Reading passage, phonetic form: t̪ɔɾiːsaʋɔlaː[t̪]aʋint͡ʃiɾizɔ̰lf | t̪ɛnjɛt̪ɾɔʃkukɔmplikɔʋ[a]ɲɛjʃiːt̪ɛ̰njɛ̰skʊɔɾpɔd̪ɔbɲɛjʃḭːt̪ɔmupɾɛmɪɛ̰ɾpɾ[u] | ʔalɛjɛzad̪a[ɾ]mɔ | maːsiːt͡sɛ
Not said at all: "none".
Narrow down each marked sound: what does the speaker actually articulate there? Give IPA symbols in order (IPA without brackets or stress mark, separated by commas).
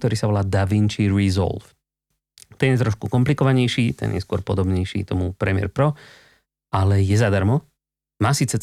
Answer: d̪, a, ɔ, ɾ